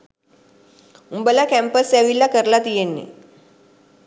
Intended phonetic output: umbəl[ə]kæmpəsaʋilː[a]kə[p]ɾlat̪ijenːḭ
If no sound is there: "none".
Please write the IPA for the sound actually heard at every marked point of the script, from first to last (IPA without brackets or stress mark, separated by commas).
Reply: a, a, none